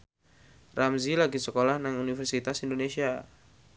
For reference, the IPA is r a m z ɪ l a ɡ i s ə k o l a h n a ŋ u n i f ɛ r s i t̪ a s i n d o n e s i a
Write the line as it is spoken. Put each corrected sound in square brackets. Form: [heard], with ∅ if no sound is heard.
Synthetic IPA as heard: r a m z [i] l a ɡ i s ə k o l a h n a ŋ u n i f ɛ r s i t̪ a s i n d o n e s i a